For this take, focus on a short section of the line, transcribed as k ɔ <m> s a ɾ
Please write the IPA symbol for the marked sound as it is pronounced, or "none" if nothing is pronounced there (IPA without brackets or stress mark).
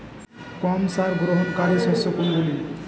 m